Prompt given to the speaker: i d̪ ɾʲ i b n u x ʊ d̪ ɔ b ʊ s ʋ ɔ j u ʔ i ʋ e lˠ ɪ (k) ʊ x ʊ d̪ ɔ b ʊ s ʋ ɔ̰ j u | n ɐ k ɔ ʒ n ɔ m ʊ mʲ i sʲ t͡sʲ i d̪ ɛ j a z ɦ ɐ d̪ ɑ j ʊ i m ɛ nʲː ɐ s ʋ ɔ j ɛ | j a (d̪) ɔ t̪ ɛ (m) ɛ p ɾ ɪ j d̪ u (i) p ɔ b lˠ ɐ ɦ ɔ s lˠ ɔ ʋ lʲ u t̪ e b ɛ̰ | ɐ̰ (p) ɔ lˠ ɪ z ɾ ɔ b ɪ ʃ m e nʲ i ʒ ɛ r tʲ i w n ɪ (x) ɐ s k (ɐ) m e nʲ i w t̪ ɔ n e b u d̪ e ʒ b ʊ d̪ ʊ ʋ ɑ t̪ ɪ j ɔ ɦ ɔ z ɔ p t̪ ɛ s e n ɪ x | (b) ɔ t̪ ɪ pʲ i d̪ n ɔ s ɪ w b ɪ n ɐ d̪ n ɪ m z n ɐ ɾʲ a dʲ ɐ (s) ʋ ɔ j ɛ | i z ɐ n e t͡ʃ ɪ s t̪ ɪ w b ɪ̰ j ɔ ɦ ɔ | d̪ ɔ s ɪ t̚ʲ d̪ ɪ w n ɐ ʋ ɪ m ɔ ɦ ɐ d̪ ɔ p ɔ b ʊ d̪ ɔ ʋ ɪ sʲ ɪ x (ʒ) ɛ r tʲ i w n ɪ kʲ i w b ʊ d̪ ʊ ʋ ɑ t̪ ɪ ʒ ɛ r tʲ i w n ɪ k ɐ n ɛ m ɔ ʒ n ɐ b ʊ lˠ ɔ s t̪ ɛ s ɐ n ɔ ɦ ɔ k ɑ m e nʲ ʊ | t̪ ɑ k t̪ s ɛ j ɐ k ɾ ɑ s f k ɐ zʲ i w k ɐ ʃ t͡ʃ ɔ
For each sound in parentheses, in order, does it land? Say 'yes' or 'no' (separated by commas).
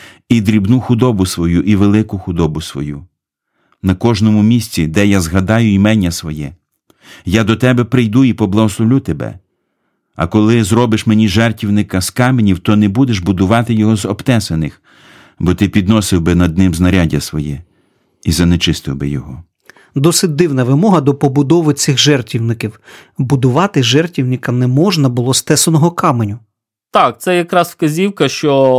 yes, yes, no, yes, no, no, no, yes, yes, yes